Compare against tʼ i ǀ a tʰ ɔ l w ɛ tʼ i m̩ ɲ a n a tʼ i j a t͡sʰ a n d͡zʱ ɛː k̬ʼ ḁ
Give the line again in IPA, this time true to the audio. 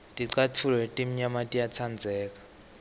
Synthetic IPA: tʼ i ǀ a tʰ u l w ɛ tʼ i m̩ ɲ a m a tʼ i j a t͡sʰ a n d͡zʱ ɛː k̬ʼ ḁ